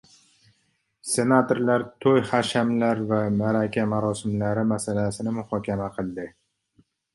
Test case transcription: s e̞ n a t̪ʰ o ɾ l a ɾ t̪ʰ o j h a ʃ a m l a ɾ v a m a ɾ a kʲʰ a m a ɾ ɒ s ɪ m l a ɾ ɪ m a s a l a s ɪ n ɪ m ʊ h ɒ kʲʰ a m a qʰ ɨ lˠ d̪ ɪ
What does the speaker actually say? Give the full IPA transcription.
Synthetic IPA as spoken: s e̞ n a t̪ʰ o ɾ l a ɾ t̪ʰ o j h a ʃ a m l a ɾ v a m a ɾ a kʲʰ a m a ɾ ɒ s ɪ m l a ɾ ɪ m a s a l a s ɪ n ɪ m ʊ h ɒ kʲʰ a m a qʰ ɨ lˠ d̪ ɪ